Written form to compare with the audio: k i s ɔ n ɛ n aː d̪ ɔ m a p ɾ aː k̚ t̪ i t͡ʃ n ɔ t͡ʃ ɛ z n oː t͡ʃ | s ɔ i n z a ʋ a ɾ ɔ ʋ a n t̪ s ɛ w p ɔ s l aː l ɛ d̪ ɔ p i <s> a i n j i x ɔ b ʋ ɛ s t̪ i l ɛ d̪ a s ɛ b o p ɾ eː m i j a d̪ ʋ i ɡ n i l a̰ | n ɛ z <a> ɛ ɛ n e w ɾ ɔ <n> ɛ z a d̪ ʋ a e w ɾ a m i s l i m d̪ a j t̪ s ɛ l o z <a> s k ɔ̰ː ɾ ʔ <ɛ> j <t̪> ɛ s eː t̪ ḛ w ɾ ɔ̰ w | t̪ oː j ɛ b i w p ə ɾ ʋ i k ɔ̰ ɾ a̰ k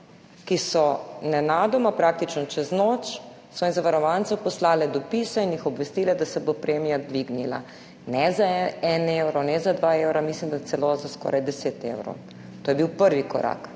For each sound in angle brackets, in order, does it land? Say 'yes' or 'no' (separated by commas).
yes, yes, yes, yes, no, no